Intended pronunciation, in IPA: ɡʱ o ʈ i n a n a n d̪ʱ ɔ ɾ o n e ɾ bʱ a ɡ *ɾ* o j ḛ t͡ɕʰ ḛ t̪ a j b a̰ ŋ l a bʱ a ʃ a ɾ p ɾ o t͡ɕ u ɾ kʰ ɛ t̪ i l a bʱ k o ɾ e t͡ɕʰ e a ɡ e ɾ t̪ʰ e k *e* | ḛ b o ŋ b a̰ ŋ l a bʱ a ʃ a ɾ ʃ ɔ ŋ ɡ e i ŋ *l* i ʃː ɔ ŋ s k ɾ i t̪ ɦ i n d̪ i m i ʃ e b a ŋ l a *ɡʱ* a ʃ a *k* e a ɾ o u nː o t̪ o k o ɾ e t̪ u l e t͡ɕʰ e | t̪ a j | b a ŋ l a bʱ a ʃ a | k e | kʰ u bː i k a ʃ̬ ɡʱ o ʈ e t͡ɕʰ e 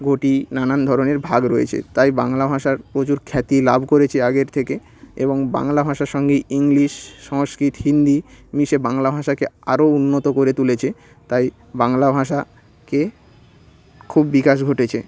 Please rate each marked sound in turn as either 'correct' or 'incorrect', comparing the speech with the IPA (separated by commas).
correct, correct, correct, incorrect, correct